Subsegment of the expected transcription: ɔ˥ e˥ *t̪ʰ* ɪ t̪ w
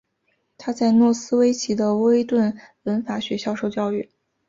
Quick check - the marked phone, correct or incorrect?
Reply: incorrect